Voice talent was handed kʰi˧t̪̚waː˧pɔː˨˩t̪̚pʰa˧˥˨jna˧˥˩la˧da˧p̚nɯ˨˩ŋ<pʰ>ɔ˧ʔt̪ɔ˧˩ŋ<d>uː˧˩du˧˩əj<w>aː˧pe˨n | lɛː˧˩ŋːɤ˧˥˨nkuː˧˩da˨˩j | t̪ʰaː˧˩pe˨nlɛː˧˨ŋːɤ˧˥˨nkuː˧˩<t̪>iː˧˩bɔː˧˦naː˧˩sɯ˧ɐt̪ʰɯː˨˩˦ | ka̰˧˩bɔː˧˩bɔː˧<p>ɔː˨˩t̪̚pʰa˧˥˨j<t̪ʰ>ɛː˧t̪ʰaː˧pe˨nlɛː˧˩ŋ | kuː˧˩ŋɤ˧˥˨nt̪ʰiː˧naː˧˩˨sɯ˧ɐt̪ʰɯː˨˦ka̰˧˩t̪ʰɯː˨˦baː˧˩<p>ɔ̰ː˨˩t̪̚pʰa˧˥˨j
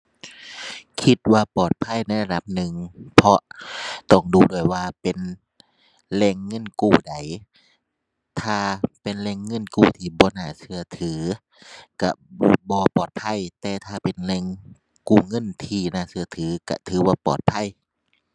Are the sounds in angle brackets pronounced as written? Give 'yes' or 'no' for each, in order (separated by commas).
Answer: yes, yes, yes, no, yes, no, yes